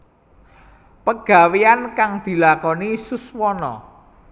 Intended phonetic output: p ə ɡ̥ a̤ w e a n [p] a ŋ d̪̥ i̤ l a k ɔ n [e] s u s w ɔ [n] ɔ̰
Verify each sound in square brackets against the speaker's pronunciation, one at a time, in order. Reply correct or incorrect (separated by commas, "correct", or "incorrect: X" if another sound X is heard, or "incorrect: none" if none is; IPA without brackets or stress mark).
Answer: incorrect: k, incorrect: i, correct